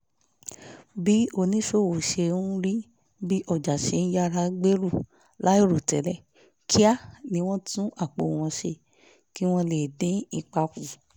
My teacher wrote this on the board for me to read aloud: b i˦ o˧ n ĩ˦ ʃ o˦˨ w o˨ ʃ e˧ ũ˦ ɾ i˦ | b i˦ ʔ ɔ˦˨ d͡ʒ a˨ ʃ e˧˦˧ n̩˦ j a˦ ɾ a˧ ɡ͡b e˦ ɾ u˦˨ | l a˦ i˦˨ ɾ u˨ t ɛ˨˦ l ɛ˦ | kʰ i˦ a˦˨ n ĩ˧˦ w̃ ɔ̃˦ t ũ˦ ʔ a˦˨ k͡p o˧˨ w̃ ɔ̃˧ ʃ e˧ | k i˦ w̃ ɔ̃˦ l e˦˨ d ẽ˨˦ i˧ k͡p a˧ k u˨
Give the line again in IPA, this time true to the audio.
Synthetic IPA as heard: b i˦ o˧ n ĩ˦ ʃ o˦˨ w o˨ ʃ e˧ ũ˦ ɾ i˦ | b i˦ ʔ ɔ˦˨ d͡ʒ a˨ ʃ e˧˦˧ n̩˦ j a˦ ɾ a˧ ɡ͡b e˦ ɾ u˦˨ | l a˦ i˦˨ ɾ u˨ t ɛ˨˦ l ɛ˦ | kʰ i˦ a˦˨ n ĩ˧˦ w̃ ɔ̃˦ t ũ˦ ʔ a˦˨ k͡p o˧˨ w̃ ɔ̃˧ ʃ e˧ | k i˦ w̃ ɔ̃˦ l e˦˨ d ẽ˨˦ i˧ k͡p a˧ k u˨